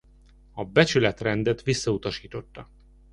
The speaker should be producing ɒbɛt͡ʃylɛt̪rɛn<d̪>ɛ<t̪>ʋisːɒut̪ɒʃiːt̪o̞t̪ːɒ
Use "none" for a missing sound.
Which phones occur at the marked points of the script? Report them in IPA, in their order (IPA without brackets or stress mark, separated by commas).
d̪, t̪